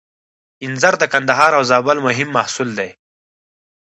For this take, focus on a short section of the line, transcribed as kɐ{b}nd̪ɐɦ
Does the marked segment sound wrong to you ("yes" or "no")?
yes